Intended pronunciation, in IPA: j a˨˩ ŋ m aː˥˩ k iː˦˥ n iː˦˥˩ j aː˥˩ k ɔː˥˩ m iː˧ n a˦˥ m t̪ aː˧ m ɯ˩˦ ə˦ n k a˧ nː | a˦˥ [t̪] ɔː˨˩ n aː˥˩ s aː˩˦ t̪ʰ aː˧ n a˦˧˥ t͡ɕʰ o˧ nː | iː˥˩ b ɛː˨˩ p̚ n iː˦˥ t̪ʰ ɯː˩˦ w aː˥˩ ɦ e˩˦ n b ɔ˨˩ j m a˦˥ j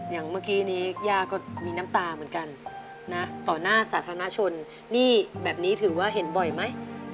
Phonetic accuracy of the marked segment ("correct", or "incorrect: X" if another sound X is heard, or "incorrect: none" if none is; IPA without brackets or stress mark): correct